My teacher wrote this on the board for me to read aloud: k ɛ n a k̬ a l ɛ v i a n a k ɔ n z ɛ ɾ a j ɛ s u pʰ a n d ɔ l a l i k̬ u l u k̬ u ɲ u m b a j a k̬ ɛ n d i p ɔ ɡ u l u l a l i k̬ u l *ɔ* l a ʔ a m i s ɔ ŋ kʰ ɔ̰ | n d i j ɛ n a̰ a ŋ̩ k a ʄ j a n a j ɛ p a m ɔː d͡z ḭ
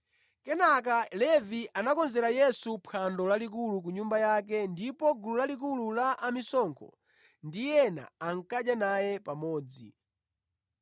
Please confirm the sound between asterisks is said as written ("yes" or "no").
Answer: no